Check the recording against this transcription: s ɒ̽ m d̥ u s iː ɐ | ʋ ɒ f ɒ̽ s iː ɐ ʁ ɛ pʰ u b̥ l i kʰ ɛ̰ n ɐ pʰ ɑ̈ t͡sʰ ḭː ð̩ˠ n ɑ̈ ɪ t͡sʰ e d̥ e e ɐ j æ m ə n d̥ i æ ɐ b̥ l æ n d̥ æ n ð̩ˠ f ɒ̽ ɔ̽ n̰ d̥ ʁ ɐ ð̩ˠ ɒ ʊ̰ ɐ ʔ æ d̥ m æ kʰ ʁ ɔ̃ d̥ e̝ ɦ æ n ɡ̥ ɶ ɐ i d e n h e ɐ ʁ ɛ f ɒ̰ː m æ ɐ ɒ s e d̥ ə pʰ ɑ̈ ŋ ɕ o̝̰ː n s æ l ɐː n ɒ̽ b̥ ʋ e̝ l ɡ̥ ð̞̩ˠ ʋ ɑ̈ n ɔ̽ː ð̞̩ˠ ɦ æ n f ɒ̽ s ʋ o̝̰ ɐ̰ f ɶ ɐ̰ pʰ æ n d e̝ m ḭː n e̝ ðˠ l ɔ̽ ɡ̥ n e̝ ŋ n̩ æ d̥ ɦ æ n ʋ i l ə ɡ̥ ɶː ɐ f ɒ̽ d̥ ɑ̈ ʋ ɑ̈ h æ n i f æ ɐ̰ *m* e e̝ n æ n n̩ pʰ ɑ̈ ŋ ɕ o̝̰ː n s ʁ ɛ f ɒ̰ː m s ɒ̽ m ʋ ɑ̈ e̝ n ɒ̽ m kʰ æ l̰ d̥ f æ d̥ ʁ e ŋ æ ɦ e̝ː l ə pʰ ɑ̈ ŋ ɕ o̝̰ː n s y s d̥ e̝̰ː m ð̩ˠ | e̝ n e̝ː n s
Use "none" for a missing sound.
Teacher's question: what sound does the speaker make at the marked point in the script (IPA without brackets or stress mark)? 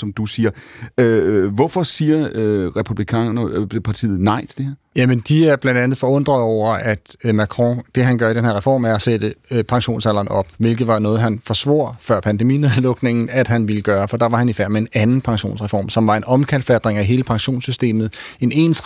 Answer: m